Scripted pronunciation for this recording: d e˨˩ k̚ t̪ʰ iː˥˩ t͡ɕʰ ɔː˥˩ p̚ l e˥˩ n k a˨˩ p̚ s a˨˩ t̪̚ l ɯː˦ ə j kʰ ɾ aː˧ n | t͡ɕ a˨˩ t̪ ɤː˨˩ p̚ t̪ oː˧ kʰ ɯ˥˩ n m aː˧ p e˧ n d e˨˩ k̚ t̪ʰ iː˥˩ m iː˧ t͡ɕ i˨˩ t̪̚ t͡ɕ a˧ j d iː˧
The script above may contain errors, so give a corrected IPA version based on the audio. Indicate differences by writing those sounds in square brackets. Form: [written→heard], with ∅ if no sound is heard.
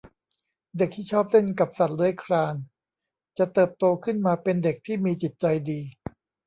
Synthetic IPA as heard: d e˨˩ k̚ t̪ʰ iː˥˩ t͡ɕʰ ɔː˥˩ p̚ l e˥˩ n k a˨˩ p̚ s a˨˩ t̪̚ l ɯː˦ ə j kʰ ɾ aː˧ n | t͡ɕ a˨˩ t̪ ɤː˨˩ p̚ t̪ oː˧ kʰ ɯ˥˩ n m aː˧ p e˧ n d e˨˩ k̚ t̪ʰ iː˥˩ m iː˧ t͡ɕ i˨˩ t̪̚ t͡ɕ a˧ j d iː˧